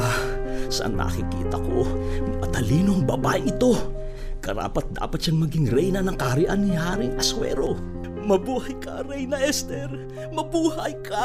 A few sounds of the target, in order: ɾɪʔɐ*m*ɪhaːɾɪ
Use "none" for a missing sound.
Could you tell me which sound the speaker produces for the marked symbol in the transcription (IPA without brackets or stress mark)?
n